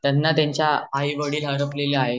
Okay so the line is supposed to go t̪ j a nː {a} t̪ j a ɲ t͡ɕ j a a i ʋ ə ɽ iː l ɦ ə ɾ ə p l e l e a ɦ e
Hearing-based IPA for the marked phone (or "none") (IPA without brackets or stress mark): a